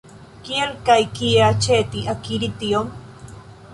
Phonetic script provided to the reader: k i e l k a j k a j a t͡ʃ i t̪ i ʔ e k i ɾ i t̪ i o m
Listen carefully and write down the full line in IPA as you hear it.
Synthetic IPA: k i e l k a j k i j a t͡ʃ e t̪ i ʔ a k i ɾ i t̪ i o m